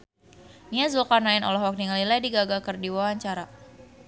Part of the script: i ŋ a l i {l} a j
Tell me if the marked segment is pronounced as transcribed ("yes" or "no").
yes